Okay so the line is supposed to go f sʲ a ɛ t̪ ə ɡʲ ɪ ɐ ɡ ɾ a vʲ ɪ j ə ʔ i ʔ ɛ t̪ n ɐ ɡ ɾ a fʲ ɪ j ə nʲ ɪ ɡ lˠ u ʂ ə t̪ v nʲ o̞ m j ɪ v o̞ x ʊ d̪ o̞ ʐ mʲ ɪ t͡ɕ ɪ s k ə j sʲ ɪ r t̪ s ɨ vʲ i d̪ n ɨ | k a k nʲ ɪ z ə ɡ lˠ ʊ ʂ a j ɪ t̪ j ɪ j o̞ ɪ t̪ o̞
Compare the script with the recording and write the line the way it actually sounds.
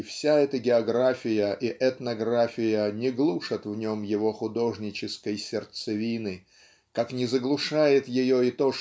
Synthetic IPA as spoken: f sʲ a ɛ t̪ ə ɡʲ ɪ ɐ ɡ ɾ a fʲ ɪ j ə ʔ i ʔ ɛ t̪ n ɐ ɡ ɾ a fʲ ɪ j ə nʲ ɪ ɡ lˠ u ʂ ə t̪ v nʲ o̞ m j ɪ v o̞ x ʊ d̪ o̞ ʐ nʲ ɪ t͡ɕ ɪ s k ə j sʲ ɪ r t̪ s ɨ vʲ i n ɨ | k a k nʲ ɪ z ə ɡ lˠ ʊ ʂ a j ɪ t̪ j ɪ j o̞ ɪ t̪ o̞